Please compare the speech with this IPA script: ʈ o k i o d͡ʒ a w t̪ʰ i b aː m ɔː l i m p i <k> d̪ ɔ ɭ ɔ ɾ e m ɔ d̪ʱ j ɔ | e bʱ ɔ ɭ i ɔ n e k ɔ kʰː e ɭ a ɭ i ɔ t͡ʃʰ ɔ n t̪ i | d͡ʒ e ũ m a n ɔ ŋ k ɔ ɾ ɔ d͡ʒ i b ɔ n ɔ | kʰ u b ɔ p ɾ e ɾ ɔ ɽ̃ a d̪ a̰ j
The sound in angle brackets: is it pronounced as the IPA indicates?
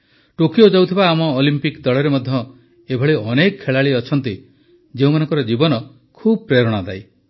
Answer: yes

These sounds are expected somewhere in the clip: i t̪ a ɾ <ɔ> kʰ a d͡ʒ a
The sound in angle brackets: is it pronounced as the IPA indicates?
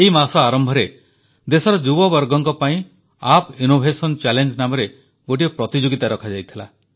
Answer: yes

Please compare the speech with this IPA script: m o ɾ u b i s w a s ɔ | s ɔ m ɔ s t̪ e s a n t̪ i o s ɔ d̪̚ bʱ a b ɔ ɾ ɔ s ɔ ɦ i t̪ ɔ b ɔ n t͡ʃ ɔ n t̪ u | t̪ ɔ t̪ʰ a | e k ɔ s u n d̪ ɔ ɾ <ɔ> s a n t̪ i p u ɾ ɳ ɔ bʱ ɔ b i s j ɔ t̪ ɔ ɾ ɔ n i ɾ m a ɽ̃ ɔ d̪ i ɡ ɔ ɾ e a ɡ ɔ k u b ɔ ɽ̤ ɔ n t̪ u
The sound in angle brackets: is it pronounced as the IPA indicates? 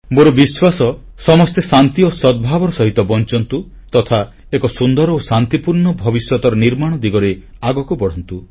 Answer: no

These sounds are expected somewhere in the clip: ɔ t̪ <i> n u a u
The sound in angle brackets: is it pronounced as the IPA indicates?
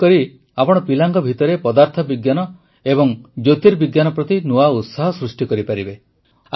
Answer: yes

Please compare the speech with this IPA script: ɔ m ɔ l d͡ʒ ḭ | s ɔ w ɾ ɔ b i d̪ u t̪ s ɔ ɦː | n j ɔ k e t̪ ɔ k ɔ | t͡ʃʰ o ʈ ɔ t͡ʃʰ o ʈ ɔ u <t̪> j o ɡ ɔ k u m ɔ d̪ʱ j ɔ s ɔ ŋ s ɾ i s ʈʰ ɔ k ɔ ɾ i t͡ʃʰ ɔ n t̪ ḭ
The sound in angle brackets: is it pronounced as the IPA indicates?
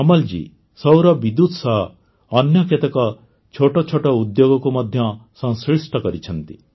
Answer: no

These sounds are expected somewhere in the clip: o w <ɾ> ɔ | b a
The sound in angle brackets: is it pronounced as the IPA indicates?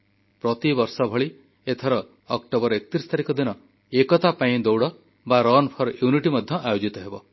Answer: no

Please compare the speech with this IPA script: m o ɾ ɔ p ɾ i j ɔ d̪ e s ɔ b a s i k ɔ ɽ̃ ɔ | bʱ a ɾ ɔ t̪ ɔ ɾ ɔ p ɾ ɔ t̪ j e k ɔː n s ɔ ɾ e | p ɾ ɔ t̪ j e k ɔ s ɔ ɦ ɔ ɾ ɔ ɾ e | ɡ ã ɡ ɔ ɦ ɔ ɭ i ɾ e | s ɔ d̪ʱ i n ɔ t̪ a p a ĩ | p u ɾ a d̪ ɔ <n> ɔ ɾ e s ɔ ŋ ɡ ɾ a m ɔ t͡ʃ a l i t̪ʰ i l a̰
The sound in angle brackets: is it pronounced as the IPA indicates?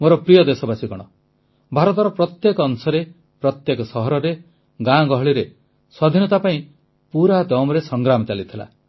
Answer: no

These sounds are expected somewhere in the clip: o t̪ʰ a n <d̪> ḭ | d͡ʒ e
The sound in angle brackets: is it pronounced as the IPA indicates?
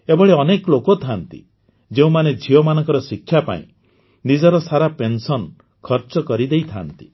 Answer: no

